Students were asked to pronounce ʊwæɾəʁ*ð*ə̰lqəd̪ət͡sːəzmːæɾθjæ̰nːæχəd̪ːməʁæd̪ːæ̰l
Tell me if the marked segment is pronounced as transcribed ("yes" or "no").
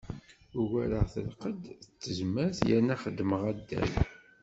no